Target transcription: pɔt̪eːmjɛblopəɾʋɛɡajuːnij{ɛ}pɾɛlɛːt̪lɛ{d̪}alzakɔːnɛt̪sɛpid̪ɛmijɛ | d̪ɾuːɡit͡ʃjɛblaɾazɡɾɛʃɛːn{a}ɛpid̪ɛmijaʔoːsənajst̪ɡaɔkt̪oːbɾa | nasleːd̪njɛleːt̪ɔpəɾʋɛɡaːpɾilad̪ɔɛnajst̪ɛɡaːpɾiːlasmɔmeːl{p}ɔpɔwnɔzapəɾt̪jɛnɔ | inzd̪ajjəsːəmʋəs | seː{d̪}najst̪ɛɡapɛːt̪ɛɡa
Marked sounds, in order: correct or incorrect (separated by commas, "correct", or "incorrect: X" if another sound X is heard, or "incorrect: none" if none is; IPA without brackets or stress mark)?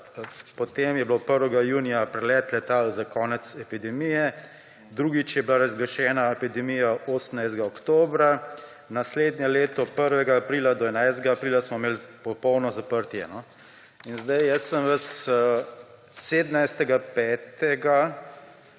incorrect: a, incorrect: t̪, correct, correct, correct